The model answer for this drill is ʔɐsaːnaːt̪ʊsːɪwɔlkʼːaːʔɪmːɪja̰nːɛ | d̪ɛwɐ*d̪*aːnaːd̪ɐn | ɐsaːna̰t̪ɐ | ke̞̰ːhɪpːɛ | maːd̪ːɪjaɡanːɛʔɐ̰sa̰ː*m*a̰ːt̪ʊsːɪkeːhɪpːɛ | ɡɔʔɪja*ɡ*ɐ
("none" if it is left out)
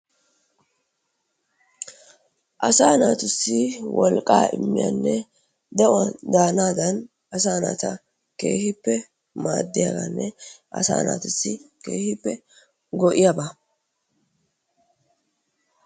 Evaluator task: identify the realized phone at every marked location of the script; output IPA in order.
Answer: d̪, n, b

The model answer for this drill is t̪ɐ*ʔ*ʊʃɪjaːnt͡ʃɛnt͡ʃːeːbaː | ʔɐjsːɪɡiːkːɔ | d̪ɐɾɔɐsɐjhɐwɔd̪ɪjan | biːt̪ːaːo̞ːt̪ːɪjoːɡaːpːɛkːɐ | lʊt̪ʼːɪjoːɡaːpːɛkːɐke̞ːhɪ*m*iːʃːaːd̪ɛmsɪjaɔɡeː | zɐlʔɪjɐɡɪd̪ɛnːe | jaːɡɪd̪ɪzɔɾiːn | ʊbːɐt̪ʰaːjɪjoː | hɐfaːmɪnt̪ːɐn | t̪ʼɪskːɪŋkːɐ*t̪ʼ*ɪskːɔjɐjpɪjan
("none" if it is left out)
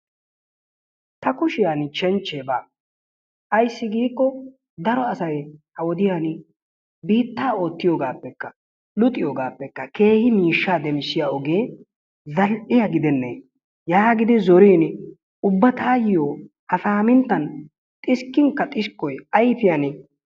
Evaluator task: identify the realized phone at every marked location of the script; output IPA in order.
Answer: k, m, t̪ʼ

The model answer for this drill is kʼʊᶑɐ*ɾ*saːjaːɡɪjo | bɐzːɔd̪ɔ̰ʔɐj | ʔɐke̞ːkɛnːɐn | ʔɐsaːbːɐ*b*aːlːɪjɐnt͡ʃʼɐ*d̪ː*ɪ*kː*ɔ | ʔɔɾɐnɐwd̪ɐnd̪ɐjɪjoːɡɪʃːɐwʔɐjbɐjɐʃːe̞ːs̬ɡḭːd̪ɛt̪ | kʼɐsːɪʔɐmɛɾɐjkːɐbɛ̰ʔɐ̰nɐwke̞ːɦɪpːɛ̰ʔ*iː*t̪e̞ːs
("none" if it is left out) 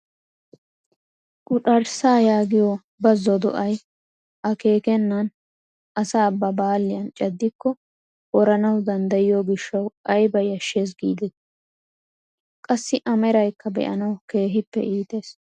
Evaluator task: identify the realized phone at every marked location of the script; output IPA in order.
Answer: ɾ, b, d̪ː, kː, iː

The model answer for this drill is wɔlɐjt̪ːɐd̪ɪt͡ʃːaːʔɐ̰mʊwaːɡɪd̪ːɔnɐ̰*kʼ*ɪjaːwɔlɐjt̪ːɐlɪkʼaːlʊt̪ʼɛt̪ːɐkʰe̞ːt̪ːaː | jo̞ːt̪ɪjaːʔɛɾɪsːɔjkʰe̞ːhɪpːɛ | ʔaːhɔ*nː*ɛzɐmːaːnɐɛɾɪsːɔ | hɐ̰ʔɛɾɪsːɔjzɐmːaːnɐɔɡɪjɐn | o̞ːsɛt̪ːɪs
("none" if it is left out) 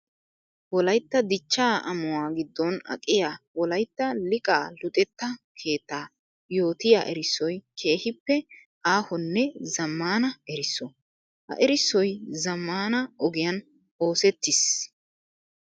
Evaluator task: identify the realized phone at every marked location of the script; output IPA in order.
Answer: kʼ, nː

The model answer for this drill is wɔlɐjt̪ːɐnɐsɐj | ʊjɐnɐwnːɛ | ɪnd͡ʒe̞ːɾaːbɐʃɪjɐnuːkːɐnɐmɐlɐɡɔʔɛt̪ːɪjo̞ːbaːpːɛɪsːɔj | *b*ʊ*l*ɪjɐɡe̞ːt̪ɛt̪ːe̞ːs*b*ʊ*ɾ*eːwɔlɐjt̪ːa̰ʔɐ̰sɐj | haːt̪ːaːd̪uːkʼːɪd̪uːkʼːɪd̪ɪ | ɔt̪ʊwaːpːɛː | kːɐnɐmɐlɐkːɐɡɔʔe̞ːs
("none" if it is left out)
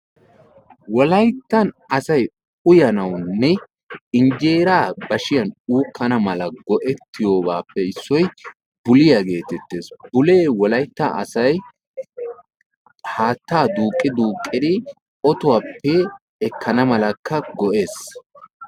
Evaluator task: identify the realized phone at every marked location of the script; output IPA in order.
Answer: b, l, b, l

